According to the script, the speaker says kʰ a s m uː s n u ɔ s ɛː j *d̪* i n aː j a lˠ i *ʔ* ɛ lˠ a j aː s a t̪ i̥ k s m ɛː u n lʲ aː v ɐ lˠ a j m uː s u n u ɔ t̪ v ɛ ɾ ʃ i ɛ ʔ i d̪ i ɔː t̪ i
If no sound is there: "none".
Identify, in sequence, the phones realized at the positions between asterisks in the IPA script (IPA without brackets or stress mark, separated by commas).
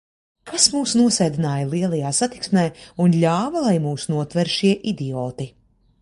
d̪, none